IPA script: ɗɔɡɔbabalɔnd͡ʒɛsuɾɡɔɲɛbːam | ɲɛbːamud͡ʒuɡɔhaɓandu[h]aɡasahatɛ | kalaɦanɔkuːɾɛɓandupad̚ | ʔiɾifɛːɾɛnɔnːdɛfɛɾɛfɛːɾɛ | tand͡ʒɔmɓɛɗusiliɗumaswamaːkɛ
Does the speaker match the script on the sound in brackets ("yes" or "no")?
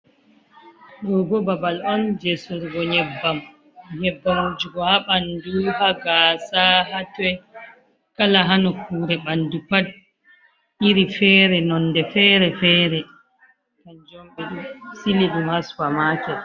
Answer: yes